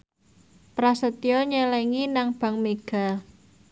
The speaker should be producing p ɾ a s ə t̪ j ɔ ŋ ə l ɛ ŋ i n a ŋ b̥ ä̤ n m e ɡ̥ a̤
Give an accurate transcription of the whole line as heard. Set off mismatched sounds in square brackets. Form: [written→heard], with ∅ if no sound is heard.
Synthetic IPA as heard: p ɾ a s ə t̪ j ɔ [ŋ→ɲ] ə l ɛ ŋ i n a ŋ b̥ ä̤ [n→ŋ] m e ɡ̥ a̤

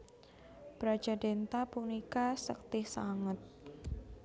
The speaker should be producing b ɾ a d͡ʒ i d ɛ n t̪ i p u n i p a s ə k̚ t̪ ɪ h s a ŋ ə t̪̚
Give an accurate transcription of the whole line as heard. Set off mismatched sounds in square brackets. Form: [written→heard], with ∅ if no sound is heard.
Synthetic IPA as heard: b ɾ a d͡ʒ [i→a] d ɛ n t̪ [i→a] p u n i [p→k] a s ə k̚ t̪ ɪ h s a ŋ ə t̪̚

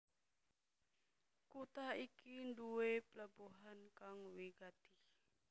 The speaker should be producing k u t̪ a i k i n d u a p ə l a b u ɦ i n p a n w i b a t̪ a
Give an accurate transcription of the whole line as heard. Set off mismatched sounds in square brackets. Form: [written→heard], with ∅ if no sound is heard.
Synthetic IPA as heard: k u t̪ a i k i n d u [a→e] p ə l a b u ɦ [i→a] n [p→k] a [n→ŋ] w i [b→ɡ] a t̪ [a→i]

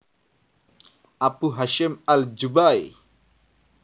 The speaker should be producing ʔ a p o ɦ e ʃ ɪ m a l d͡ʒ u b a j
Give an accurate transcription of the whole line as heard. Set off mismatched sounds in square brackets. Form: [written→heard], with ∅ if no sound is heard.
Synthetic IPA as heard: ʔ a p [o→u] ɦ [e→a] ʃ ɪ m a l d͡ʒ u b a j

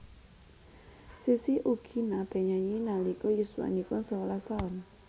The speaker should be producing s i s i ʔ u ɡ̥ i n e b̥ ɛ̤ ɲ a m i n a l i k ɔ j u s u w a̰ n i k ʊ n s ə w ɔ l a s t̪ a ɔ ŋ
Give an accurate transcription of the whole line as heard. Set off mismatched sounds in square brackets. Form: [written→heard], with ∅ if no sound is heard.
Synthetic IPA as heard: s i s i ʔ u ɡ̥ i n [e→a] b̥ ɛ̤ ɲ a [m→ɲ] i n a l i k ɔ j u s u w a̰ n i k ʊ n s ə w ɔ l a s t̪ a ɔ [ŋ→n]

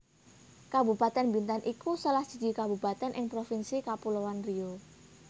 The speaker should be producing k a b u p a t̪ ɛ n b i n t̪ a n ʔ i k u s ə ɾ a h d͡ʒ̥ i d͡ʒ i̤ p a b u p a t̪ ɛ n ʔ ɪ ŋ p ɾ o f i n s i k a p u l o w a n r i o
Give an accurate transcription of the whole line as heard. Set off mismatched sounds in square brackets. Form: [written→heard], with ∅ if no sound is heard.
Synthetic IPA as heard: k a b u p a t̪ ɛ n b i n t̪ a n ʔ i k u s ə [ɾ→l] a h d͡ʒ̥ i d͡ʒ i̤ [p→k] a b u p a t̪ ɛ n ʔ ɪ ŋ p ɾ o f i n s i k a p u l o w a n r i o

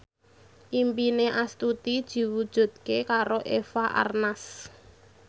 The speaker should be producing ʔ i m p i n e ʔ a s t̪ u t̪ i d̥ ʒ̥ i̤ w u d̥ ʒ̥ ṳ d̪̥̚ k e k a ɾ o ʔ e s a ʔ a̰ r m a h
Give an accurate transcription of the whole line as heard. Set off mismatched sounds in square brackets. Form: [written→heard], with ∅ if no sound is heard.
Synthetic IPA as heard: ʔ i m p i n e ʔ a s t̪ u t̪ i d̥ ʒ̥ i̤ w u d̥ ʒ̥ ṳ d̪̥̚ k e k a ɾ o ʔ e [s→f] a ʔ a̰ r [m→n] a [h→s]

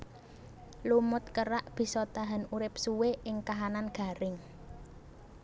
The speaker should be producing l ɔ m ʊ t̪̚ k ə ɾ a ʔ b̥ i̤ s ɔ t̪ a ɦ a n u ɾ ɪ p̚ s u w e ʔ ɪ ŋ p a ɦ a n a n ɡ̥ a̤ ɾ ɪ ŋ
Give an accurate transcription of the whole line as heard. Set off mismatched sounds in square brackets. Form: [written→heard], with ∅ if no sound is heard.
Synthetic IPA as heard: l [ɔ→u] m ʊ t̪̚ k ə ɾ a ʔ b̥ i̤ s ɔ t̪ a ɦ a n u ɾ ɪ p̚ s u w e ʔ ɪ ŋ [p→k] a ɦ a n a n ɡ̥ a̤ ɾ ɪ ŋ

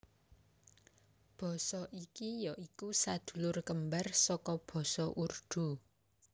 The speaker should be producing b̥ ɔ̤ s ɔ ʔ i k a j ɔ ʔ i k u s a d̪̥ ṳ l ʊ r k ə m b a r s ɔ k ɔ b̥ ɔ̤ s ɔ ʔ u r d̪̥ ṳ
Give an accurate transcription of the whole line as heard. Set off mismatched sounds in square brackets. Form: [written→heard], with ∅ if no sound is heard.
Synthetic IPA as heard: b̥ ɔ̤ s ɔ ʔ i k [a→i] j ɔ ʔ i k u s a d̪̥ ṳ l ʊ r k ə m b a r s ɔ k ɔ b̥ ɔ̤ s ɔ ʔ u r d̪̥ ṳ

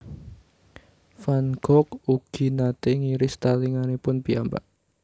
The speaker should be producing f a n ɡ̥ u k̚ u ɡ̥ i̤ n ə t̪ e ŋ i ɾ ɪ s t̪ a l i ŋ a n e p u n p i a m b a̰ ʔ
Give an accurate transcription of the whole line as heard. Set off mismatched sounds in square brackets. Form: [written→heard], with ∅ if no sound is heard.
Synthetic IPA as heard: f a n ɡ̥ [u→ɔ] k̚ u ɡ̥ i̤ n [ə→a] t̪ e ŋ i ɾ ɪ s t̪ a l i ŋ a n e p [u→ʊ] n p i a m b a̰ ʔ

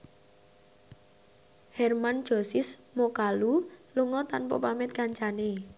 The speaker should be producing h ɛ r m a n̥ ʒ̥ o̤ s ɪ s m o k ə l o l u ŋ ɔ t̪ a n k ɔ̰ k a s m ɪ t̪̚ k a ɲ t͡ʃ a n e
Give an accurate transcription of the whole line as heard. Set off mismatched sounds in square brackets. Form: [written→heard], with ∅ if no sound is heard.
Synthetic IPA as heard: h ɛ r m a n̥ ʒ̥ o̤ s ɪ s m o k [ə→a] l [o→u] l u ŋ ɔ t̪ a n [k→p] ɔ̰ [k→p] a [s→∅] m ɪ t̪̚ k a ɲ t͡ʃ a n e

